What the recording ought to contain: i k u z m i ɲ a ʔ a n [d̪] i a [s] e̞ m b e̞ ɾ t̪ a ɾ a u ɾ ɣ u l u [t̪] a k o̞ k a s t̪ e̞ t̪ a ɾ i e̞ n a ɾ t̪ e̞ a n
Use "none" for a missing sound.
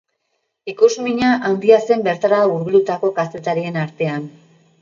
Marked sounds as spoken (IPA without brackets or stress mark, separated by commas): d̪, s, t̪